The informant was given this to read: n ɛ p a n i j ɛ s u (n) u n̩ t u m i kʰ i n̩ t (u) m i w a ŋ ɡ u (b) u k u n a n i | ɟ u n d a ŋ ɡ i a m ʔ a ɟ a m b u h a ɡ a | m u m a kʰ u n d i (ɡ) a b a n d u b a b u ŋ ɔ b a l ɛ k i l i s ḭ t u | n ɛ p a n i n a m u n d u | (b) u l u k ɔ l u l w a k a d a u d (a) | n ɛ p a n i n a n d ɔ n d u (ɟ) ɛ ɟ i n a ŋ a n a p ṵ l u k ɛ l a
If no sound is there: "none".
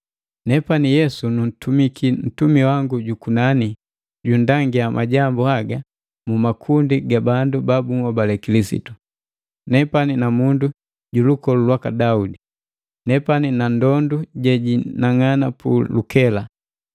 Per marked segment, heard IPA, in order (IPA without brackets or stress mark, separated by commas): n, u, ɟ, ɡ, ɟ, i, ɟ